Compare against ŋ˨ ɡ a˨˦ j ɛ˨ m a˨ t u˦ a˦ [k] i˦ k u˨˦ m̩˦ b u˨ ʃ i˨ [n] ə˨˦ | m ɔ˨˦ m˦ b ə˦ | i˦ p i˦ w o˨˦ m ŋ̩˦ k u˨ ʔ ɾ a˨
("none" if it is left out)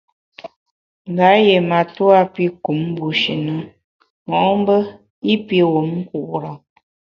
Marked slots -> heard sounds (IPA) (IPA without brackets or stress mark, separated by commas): p, n